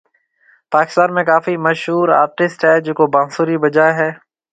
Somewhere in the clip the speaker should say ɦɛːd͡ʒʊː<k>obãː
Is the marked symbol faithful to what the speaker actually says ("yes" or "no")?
yes